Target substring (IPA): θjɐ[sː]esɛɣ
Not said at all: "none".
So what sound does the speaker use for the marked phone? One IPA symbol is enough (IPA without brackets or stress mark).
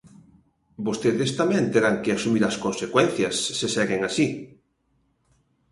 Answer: sː